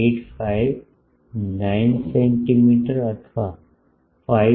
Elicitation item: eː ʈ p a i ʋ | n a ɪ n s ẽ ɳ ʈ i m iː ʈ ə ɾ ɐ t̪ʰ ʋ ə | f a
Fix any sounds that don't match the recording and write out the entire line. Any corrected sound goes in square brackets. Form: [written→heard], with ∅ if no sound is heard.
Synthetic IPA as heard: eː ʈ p a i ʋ | n a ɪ n s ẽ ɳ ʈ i m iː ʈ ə ɾ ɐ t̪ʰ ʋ [ə→a] | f a

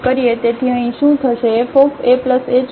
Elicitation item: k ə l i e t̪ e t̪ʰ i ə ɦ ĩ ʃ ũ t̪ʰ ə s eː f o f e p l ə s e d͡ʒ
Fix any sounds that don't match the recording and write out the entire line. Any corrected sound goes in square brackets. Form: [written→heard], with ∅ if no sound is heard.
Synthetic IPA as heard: k ə [l→ɾ] i e t̪ e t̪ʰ i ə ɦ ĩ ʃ ũ t̪ʰ ə [s→ʃ] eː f o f e p l ə s e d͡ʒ

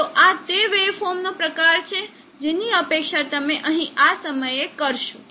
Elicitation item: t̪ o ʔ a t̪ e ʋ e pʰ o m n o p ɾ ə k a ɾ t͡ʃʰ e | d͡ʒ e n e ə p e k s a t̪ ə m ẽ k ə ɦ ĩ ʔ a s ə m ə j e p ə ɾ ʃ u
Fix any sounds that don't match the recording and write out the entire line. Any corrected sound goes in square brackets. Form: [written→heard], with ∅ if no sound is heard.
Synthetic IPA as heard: t̪ o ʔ a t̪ e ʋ e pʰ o m n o p ɾ ə k a ɾ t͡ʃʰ e | d͡ʒ e n [e→i] ə p e k [s→ʃ] a t̪ ə m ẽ [k→ʔ] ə ɦ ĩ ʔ a s ə m ə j e [p→k] ə ɾ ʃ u

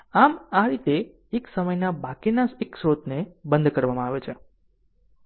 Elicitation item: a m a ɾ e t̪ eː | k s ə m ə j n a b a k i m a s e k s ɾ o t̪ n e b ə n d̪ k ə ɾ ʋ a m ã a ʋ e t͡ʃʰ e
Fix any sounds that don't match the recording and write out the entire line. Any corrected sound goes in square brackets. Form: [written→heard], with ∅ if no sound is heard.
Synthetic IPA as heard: a m a ɾ [e→i] t̪ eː | k s ə m ə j n a b a k i [m→n] a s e k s ɾ o t̪ n e b ə n d̪ k ə ɾ ʋ a m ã a ʋ e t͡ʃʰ e

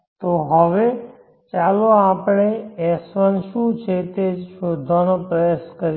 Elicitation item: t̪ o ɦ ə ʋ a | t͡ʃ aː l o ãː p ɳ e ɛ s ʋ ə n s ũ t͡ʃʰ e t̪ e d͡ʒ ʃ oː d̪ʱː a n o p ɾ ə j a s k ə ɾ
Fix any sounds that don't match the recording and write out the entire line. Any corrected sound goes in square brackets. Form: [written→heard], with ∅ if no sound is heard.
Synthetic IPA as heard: t̪ o ɦ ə ʋ [a→e] | t͡ʃ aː l o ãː p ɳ e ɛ s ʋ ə n [s→ʃ] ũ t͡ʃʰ e t̪ e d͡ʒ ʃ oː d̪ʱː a n o p ɾ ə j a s k ə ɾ

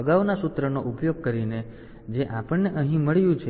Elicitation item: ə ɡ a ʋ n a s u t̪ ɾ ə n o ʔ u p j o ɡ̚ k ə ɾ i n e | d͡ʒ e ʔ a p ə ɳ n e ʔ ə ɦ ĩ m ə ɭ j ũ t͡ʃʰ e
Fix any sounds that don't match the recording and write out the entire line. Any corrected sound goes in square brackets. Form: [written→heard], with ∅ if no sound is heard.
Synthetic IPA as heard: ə ɡ a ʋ n a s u t̪ ɾ ə n o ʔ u p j o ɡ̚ k ə ɾ i n e | d͡ʒ e ʔ a p ə ɳ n e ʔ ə ɦ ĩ m ə ɭ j ũ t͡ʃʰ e

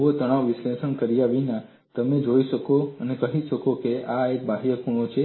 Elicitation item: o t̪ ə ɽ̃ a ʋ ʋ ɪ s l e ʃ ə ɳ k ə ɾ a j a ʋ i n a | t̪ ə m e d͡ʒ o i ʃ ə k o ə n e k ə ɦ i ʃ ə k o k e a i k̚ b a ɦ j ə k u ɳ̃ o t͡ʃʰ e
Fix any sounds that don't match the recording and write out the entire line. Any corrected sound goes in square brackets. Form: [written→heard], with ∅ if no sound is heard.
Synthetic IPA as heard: o t̪ ə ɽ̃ a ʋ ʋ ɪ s l e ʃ ə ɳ k ə ɾ [a→i] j a ʋ i n a | t̪ ə m e d͡ʒ o i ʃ ə k o ə n e k ə ɦ i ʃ ə k o k e a [i→e] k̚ b a ɦ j ə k u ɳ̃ o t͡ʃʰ e

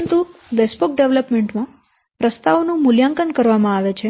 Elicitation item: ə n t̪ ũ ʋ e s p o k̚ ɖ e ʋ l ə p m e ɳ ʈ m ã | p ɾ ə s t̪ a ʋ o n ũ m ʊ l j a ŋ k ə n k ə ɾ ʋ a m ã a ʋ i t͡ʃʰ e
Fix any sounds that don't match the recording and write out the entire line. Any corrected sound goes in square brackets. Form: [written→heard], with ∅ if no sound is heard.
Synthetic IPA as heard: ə n t̪ [ũ→u] ʋ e s p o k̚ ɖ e ʋ l ə p m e ɳ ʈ m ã | p ɾ ə s t̪ a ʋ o n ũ m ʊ l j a ŋ k ə n k ə ɾ ʋ a m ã a ʋ [i→e] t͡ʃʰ e

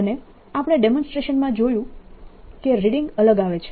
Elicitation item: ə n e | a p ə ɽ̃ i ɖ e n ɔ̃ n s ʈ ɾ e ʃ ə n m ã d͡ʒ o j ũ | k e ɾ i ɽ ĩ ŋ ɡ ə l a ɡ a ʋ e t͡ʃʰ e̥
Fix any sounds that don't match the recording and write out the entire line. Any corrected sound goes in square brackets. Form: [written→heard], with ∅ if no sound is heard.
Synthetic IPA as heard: ə n e | a p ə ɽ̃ [i→e] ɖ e [n→m] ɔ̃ n s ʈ ɾ e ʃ ə n m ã d͡ʒ o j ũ | k e ɾ i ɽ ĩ ŋ ɡ ə l [a→ə] ɡ a ʋ e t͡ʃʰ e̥

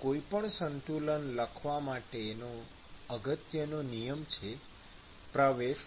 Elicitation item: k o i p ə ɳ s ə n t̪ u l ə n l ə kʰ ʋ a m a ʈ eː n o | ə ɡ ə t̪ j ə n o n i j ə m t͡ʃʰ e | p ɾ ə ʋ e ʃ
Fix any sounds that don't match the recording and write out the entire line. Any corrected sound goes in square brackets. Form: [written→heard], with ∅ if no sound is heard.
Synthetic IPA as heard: k o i p ə ɳ s ə n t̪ u l ə n l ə kʰ ʋ a m a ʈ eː n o | ə ɡ ə t̪ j ə n o n i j ə m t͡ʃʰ e | p ɾ ə ʋ e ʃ

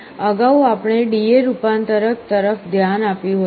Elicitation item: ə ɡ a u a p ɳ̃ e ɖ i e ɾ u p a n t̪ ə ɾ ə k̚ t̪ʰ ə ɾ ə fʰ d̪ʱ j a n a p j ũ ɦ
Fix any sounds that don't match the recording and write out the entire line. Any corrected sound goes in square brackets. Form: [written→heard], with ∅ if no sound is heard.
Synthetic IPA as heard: ə ɡ a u a p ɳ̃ e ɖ i e ɾ u p a n t̪ ə ɾ ə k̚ [t̪ʰ→t̪] ə ɾ ə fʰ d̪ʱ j a n a p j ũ ɦ

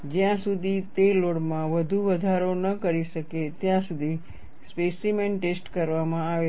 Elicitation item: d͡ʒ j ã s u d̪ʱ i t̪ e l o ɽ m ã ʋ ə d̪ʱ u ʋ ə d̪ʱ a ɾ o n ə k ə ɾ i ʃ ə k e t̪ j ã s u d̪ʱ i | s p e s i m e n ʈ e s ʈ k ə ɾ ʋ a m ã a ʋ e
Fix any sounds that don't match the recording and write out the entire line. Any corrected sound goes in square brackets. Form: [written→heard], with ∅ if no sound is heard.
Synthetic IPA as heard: d͡ʒ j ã s u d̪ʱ i t̪ e l o ɽ m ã ʋ ə d̪ʱ u ʋ ə d̪ʱ a ɾ o n ə k ə ɾ i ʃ ə k e t̪ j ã s u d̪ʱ i | s p e s i m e n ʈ e s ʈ k ə ɾ ʋ a m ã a ʋ e

